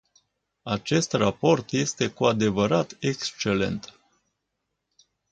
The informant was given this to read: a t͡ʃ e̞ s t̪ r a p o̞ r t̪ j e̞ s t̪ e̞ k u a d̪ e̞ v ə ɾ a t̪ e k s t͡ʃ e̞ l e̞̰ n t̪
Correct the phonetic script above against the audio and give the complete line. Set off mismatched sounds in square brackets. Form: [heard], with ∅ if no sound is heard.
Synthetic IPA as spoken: a t͡ʃ e̞ s t̪ r a p o̞ r t̪ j e̞ s t̪ e̞ k u a d̪ e̞ v ə ɾ a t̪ e k s t͡ʃ e̞ l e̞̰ n t̪